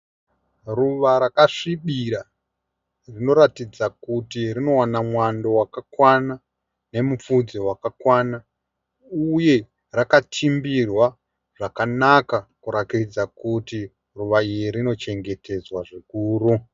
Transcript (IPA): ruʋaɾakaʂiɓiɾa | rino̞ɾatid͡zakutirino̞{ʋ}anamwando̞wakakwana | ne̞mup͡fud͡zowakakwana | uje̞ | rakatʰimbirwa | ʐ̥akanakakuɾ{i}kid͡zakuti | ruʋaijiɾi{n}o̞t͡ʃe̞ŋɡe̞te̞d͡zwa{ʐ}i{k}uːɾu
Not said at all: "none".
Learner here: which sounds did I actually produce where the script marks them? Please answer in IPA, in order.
w, a, n, ʐ, k

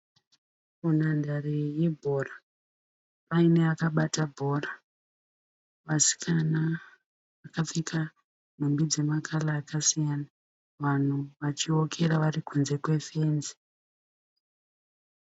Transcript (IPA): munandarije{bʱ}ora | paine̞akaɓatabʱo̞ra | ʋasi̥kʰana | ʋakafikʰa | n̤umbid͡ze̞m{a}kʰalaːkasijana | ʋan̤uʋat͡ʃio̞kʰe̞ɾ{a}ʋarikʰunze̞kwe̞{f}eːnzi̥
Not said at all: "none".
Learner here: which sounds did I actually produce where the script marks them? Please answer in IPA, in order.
bʱ, a, a, f

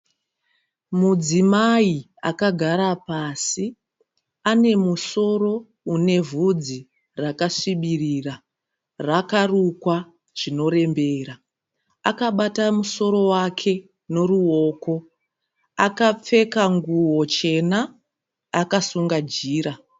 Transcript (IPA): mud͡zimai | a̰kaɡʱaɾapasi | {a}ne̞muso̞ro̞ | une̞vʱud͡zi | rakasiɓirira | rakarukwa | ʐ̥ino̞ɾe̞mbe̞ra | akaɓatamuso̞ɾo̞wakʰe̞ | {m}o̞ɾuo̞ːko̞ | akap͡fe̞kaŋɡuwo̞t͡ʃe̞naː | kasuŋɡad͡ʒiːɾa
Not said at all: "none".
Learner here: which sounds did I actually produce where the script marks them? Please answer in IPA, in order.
a, n

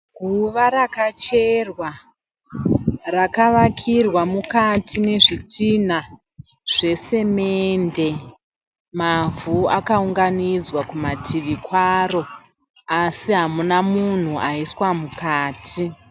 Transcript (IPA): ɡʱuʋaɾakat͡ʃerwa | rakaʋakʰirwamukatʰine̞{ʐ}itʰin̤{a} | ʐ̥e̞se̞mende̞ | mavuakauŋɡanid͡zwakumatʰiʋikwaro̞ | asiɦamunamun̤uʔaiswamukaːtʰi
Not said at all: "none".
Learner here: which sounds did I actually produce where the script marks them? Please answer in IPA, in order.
ʐ, a

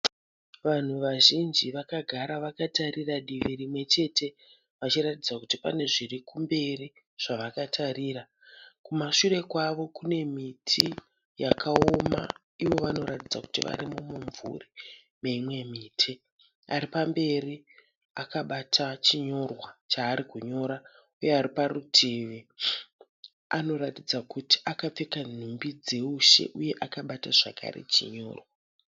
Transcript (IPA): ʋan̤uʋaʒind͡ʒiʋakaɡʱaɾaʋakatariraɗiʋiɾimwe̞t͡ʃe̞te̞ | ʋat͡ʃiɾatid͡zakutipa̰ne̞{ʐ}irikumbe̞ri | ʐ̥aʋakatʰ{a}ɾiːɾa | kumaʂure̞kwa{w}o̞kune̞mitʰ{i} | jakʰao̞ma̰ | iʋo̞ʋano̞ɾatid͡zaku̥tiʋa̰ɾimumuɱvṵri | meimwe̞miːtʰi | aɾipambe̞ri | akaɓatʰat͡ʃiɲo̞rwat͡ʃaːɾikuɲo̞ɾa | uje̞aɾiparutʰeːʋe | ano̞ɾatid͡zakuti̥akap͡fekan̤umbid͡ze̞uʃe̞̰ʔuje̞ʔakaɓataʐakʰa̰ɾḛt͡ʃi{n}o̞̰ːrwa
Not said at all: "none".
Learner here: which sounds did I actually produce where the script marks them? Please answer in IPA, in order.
ʐ, a, ʋ, i, ɲ

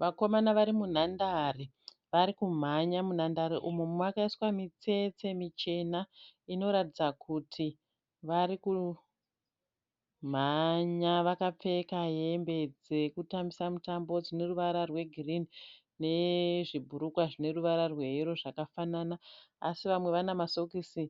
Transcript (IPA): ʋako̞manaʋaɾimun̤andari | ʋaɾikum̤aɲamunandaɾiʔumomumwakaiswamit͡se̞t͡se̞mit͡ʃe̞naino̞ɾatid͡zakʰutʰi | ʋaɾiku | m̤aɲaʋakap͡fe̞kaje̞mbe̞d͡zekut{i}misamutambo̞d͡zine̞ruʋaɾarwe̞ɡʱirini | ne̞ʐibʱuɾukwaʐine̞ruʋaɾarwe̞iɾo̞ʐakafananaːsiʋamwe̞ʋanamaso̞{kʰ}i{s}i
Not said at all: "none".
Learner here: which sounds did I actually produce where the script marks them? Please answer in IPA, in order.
a, k, s

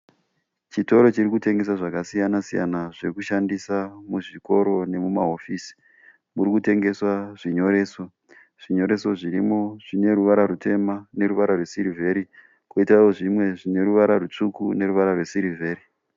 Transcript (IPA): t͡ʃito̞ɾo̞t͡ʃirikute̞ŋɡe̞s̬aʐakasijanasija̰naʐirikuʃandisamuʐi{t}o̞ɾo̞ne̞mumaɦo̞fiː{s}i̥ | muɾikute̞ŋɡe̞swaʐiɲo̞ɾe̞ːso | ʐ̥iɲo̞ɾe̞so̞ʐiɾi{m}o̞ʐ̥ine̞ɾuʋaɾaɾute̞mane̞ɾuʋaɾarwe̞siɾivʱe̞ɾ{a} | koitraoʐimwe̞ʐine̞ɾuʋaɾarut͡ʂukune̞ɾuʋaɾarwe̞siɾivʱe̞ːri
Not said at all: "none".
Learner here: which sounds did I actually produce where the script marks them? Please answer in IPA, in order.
k, s, m, i

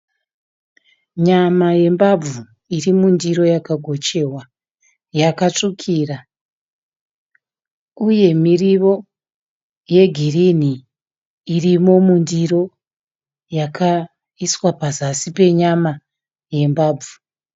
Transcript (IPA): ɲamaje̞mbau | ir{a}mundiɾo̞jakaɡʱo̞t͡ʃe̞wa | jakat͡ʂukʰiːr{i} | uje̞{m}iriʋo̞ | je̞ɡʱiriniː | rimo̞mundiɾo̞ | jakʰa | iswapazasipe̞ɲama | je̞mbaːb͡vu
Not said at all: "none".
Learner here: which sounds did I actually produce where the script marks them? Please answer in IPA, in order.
i, a, m

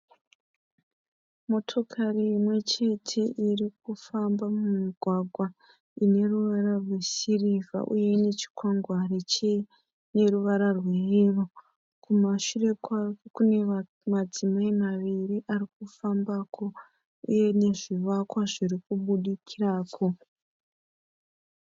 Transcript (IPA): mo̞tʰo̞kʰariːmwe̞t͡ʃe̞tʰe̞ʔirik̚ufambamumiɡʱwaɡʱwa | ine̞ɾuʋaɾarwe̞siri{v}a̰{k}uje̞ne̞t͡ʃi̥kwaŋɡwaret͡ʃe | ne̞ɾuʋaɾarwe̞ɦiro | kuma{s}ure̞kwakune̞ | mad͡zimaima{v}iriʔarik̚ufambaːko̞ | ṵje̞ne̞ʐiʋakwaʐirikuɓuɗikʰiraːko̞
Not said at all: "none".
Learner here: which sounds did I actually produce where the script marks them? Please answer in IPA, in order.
v, ʔ, ʃ, ʋ

